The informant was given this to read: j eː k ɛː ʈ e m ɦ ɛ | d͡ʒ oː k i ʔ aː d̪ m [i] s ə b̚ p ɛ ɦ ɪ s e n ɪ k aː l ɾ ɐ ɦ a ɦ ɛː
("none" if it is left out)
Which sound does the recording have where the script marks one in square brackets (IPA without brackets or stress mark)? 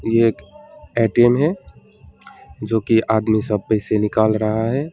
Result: i